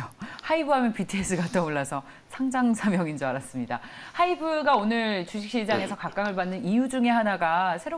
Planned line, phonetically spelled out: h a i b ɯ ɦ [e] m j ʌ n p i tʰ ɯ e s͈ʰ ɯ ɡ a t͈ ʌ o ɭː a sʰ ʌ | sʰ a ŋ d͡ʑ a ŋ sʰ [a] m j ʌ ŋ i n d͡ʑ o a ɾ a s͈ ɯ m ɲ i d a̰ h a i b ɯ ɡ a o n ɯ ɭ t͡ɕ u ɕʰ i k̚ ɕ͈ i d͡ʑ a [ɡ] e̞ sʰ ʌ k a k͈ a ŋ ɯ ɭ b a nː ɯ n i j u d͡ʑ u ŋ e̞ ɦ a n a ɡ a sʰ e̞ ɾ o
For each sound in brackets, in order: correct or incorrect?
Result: incorrect: a, correct, incorrect: ŋ

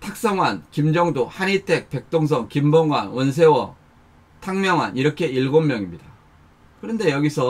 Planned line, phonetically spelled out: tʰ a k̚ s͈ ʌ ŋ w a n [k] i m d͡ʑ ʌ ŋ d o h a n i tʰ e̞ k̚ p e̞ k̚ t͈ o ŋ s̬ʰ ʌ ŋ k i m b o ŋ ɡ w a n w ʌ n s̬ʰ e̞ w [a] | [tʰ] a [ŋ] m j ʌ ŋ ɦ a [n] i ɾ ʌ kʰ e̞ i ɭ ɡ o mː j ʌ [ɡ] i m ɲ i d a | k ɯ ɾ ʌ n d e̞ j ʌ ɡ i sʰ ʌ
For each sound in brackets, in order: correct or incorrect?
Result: correct, incorrect: ʌ, correct, correct, correct, incorrect: ŋ

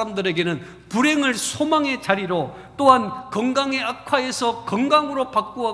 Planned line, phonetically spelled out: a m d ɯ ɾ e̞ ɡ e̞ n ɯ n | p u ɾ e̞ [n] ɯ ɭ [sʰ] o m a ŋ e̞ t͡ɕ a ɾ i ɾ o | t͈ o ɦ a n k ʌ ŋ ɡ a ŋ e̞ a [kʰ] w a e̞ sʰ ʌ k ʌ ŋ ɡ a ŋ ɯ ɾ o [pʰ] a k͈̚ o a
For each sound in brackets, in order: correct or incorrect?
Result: incorrect: ŋ, correct, correct, incorrect: p

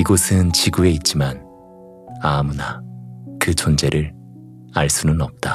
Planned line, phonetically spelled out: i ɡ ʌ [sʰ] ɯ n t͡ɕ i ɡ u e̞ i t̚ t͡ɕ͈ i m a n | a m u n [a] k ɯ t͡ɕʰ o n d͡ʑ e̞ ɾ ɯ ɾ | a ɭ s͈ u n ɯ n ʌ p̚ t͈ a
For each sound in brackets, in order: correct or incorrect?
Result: correct, correct

